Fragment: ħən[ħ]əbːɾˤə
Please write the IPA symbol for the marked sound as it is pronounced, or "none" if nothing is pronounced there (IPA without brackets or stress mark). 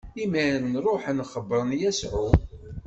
χ